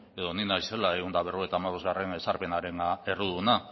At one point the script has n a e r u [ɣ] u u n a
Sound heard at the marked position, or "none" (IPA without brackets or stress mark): ð